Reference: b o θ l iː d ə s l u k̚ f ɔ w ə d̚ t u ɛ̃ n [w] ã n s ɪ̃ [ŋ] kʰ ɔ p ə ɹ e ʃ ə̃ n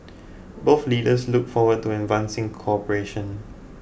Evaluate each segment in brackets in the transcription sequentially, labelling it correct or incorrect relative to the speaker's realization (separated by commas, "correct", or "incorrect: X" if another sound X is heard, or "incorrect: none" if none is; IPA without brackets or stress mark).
incorrect: v, correct